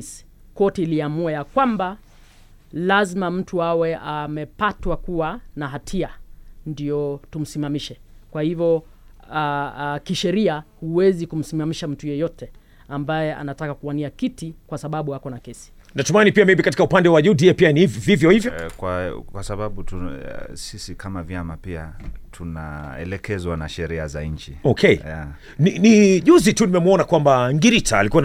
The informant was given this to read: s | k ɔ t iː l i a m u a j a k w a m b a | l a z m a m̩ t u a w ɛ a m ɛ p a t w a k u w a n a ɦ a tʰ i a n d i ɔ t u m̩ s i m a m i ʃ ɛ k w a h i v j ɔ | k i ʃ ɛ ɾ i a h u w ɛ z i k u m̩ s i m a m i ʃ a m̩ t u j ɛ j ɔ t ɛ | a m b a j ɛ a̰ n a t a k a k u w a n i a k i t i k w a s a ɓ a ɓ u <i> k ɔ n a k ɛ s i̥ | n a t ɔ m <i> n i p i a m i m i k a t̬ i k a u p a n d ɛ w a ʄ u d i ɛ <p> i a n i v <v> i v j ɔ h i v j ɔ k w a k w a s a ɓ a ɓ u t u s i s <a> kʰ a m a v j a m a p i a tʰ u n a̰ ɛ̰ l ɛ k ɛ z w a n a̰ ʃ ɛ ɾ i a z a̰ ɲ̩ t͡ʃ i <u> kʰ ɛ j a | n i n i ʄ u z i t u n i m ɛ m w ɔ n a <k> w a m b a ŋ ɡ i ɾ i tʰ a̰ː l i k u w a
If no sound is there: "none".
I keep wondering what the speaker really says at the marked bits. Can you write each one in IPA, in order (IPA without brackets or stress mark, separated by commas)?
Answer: a, a, p, v, i, ɔ, k